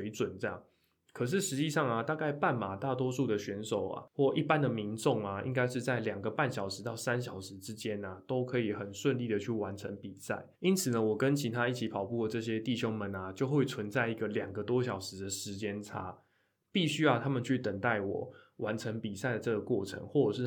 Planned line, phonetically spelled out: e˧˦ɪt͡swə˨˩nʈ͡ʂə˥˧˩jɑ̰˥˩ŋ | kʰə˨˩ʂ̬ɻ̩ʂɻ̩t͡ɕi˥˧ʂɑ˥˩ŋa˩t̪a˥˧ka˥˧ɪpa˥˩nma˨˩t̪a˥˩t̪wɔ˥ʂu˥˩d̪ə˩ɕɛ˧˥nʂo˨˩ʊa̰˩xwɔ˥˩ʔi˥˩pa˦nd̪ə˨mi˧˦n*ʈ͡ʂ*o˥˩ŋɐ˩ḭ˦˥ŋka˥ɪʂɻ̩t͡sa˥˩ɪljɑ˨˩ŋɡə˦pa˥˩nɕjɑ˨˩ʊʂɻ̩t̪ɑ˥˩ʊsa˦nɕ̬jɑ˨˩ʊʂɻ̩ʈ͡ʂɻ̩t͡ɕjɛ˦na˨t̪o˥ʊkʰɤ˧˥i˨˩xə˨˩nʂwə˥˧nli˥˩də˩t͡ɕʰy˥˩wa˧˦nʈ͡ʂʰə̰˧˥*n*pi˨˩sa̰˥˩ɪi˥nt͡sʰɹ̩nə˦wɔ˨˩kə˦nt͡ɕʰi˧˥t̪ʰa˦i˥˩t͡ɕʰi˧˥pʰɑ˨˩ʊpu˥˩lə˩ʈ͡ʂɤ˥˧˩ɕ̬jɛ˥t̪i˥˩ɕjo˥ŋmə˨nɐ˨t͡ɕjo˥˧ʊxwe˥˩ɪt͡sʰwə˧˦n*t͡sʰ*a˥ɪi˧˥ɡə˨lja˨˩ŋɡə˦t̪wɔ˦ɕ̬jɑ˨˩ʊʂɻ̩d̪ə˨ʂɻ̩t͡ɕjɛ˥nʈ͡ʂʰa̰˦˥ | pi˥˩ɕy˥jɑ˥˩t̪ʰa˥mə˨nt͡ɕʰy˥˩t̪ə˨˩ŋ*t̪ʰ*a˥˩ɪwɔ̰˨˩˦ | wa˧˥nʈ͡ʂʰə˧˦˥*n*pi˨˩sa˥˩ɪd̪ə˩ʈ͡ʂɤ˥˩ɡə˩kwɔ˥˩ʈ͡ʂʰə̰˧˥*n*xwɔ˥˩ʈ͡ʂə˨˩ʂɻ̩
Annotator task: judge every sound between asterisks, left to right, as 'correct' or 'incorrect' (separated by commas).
correct, incorrect, incorrect, incorrect, incorrect, incorrect